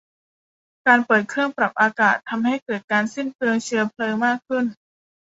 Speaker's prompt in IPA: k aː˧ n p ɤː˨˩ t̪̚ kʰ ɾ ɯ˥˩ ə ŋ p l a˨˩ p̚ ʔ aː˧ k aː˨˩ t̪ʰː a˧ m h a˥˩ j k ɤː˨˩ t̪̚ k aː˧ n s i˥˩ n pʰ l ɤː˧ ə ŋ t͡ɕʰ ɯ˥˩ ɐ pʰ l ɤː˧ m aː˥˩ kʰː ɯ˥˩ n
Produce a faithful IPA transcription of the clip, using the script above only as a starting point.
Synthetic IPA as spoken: k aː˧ n p ɤː˨˩ t̪̚ kʰ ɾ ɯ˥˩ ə ŋ p ɾ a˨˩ p̚ ʔ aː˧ k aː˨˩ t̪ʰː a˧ m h a˥˩ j k ɤː˨˩ t̪̚ k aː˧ n s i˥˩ n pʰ l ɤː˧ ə ŋ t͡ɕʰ ɯ˧ ɐ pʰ l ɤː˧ m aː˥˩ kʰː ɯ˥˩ n